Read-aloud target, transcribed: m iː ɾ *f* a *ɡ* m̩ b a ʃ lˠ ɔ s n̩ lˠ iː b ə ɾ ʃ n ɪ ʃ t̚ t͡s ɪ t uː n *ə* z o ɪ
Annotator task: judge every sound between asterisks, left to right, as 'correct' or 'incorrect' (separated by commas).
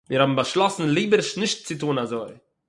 incorrect, incorrect, incorrect